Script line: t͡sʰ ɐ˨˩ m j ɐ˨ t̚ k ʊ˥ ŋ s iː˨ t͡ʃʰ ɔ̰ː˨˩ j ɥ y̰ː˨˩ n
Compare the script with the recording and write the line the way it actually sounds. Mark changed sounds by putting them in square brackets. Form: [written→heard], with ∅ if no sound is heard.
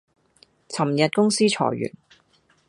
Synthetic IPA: t͡sʰ ɐ˨˩ m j ɐ˨ t̚ k ʊ˥ ŋ s [iː˨→iː˥] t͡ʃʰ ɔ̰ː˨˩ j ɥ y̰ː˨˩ n

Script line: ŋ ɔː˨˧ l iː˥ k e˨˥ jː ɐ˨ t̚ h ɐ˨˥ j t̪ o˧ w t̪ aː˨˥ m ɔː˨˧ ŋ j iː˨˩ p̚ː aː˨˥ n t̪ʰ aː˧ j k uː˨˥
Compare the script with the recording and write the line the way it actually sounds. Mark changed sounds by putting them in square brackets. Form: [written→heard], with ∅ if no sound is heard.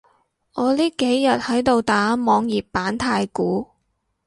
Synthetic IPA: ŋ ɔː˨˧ l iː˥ k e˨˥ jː ɐ˨ t̚ h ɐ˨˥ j t̪ o˧ w t̪ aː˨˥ m ɔː˨˧ ŋ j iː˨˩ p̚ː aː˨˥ n t̪ʰ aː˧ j k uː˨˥

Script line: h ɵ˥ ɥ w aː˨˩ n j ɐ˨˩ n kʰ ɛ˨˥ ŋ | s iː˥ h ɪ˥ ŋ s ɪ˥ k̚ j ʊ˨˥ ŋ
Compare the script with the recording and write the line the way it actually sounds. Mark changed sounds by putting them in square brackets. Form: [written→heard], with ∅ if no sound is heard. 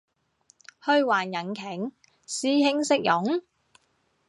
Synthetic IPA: h [ɵ˥→ɵ˧] ɥ w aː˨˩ n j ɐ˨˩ n kʰ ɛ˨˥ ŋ | s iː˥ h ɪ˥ ŋ s ɪ˥ k̚ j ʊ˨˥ ŋ

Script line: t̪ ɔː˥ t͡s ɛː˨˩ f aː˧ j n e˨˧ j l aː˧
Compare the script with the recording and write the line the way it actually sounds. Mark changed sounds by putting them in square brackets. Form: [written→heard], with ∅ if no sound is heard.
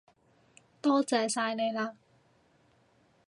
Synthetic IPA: t̪ ɔː˥ t͡s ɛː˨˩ [f→s] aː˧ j n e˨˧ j l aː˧

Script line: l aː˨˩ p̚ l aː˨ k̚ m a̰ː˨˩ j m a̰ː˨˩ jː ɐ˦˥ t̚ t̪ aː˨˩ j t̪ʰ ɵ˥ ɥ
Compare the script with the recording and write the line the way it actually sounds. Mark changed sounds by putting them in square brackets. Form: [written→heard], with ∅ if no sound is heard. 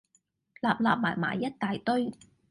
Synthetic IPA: l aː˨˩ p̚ l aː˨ [k̚→p̚] m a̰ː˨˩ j m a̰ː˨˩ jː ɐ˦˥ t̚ t̪ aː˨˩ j [t̪ʰ→t̪] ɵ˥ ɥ

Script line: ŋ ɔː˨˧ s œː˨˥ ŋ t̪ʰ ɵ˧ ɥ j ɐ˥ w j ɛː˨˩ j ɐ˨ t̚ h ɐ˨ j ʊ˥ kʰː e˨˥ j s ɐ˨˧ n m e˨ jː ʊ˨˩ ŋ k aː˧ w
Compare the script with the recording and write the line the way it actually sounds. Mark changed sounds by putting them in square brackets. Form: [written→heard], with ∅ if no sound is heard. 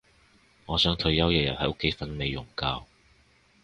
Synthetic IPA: ŋ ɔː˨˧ s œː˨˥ ŋ t̪ʰ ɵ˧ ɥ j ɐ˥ w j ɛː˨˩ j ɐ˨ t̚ h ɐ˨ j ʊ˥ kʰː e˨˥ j [s→f] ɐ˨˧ n m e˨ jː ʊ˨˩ ŋ k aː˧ w

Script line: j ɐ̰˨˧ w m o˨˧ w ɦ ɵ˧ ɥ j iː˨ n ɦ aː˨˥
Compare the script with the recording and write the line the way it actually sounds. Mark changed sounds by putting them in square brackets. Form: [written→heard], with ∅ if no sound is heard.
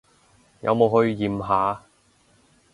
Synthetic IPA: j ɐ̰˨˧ w m o˨˧ w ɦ ɵ˧ ɥ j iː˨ [n→m] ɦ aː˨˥

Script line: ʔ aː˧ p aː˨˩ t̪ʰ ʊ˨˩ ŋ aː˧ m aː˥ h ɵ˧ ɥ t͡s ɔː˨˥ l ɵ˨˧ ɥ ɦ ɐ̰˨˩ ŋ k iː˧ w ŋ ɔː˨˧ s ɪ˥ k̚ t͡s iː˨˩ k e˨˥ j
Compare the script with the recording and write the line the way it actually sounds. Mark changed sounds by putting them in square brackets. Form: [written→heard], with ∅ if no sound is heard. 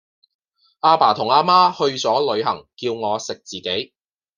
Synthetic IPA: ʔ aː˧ p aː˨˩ t̪ʰ ʊ˨˩ ŋ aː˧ m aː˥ h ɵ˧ ɥ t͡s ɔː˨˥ l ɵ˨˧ ɥ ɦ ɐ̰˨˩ ŋ k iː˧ w ŋ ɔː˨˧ s [ɪ˥→ɪ˨] k̚ t͡s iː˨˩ k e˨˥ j

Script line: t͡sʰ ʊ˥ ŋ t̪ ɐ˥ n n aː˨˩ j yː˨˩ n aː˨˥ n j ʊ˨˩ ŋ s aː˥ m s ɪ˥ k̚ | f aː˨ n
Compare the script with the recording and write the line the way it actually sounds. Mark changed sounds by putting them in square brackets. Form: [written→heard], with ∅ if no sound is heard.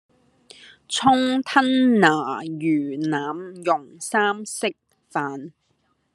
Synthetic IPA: t͡sʰ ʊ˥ ŋ [t̪→t̪ʰ] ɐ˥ n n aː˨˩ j yː˨˩ n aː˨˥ [n→m] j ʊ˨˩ ŋ s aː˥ m s ɪ˥ k̚ | f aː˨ n

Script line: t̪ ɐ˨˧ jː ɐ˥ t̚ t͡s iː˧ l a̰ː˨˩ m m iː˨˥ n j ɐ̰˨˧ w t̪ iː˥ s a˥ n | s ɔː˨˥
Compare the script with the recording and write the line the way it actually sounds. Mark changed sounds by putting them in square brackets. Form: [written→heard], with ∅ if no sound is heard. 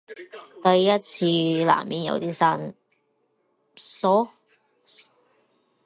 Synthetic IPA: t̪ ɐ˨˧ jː ɐ˥ t̚ [t͡s→t͡sʰ] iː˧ l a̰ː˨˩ m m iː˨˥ n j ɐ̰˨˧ w t̪ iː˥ s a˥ n | s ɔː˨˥

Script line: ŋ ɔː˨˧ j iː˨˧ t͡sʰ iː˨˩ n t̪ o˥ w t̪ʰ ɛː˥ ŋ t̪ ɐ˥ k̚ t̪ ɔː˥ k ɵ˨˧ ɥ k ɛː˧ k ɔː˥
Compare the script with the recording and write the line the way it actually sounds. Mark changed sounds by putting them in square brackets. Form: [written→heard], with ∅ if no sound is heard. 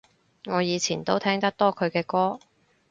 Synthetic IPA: ŋ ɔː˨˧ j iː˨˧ t͡sʰ iː˨˩ n t̪ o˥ w t̪ʰ ɛː˥ ŋ t̪ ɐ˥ k̚ t̪ ɔː˥ [k→kʰ] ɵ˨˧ ɥ k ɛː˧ k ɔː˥

